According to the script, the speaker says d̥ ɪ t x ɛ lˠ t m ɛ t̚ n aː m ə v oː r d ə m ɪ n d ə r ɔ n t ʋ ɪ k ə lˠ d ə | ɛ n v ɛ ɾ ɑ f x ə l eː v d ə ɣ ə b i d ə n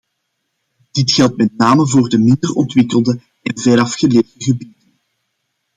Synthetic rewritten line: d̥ ɪ t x ɛ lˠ t m ɛ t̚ n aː m ə v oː r d ə m ɪ n d ə r ɔ n t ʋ ɪ k ə lˠ d ə | ɛ n v ɛ ɾ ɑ f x ə l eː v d ə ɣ ə b i d ə n